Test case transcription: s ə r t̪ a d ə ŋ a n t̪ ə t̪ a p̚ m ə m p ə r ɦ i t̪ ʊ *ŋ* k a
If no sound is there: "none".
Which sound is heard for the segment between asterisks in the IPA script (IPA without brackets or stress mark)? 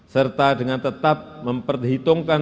ŋ